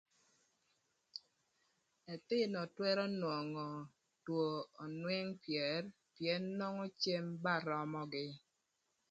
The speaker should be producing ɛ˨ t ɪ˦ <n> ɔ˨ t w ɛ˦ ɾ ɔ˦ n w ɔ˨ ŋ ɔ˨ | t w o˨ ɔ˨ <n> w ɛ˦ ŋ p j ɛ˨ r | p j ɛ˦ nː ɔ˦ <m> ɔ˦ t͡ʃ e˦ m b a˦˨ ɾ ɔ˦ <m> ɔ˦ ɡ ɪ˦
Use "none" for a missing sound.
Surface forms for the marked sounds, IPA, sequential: n, n, ŋ, m

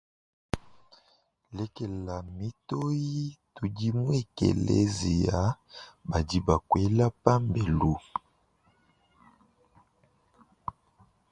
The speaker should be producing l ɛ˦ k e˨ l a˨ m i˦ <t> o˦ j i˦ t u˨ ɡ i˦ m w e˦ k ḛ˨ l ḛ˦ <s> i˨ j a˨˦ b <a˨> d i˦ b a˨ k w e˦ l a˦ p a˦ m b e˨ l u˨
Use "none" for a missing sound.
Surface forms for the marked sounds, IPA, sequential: t, z, a˨

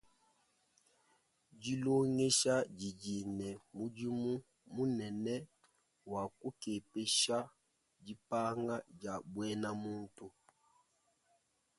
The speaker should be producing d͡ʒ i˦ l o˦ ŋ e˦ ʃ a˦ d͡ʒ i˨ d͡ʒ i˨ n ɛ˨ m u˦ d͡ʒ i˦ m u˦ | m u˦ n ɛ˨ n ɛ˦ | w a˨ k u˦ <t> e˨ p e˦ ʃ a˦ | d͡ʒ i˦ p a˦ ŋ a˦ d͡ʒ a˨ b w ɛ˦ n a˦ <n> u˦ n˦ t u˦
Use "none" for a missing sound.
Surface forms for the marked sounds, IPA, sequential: k, m

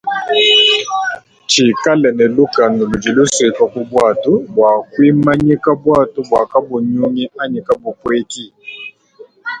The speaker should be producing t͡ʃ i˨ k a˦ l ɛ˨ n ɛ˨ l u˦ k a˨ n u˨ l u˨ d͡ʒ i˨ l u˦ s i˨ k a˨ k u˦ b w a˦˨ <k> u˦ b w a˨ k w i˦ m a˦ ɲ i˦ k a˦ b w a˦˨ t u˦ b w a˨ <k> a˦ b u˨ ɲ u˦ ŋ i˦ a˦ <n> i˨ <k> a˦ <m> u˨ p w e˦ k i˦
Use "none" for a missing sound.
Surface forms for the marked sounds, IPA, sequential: t, k, ɲ, k, b

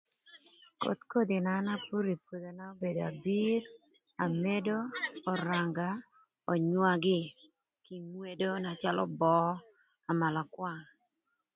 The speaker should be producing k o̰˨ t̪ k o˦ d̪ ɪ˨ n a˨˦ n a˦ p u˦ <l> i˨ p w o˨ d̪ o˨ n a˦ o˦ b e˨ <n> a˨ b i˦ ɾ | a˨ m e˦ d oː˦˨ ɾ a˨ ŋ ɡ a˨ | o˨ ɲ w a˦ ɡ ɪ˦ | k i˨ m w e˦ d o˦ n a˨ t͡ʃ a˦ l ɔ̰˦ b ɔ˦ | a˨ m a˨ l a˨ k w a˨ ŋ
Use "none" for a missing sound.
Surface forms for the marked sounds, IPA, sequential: ɾ, d

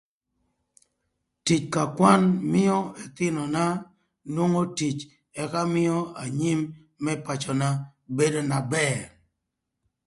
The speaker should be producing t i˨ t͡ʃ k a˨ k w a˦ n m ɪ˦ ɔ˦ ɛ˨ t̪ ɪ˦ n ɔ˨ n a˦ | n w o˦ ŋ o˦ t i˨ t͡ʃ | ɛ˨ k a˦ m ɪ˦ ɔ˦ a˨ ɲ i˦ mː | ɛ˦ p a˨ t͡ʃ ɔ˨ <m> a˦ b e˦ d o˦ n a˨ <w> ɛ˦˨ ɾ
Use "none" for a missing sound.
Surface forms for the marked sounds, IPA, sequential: n, b

